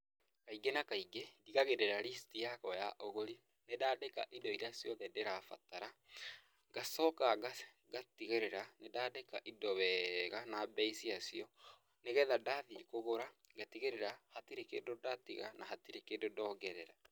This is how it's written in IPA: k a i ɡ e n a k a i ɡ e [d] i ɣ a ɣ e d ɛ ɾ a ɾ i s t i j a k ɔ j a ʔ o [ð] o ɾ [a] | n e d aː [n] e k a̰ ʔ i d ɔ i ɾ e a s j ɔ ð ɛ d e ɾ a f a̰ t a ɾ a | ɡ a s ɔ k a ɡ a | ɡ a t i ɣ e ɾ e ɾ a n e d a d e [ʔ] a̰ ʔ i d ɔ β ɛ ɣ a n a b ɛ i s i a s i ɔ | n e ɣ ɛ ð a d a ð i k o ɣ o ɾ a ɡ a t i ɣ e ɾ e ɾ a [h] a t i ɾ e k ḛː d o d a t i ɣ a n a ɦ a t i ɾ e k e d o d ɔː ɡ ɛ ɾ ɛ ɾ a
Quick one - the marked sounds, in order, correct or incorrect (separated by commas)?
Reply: correct, incorrect, incorrect, incorrect, incorrect, correct